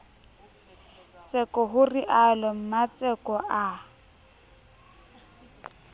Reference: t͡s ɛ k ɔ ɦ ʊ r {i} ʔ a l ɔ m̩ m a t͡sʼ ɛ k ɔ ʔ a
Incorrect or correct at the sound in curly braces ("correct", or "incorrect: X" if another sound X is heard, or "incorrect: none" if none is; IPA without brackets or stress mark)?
correct